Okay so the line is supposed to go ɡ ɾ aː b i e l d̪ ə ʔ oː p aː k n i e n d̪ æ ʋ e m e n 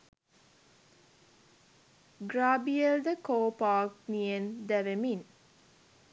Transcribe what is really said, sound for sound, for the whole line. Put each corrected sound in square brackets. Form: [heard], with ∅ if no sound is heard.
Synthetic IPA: ɡ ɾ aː b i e l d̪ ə [k] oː p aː k n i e n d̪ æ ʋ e m [i] n